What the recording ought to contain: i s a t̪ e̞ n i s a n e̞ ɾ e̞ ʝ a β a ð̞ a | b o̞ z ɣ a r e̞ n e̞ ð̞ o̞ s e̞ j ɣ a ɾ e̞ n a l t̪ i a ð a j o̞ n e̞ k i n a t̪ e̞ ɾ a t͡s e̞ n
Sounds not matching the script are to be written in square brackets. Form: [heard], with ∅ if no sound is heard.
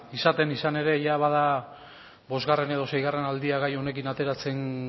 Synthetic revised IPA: i s a t̪ e̞ n i s a n e̞ ɾ e̞ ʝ a β a ð̞ a | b o̞ z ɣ a r e̞ n e̞ ð̞ o̞ s e̞ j ɣ a [r] e̞ n a l [d̪] i a [ɣ] a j o̞ n e̞ k i n a t̪ e̞ ɾ a t͡s e̞ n